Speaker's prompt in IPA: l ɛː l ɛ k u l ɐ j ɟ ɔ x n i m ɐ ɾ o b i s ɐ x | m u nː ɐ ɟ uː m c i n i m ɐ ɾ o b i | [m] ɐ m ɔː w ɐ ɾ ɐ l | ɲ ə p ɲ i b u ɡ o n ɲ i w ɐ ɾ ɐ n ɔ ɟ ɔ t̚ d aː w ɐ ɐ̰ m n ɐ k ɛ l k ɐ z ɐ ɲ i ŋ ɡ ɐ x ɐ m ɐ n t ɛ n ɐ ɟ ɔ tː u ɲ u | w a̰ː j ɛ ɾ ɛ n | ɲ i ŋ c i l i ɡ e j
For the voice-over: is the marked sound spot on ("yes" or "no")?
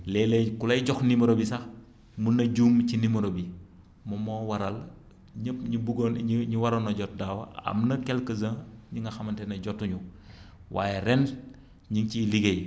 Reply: yes